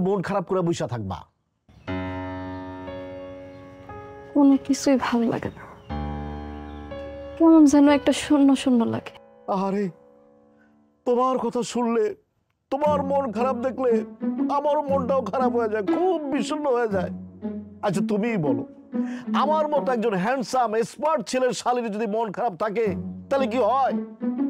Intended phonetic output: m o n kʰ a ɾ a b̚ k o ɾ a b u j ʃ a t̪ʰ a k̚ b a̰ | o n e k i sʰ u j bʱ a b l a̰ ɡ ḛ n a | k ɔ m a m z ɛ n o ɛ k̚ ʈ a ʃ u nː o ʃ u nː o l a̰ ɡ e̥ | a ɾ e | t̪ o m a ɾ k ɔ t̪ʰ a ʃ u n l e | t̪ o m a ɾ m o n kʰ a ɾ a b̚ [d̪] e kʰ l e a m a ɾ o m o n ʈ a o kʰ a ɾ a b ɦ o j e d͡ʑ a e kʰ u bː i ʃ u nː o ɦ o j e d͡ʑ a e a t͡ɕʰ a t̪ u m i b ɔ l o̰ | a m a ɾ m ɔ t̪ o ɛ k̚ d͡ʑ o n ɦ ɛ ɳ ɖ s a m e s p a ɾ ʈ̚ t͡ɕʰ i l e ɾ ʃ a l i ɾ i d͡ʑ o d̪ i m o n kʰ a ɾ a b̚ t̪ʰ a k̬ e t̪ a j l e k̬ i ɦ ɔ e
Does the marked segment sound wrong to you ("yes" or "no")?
no